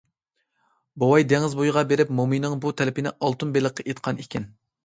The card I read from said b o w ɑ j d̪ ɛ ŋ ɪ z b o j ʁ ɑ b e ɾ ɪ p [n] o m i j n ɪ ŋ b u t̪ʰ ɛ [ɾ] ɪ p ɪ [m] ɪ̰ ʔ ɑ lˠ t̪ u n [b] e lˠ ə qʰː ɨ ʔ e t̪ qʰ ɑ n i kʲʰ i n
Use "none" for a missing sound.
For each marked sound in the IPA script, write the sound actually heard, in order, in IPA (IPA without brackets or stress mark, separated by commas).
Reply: m, l, n, b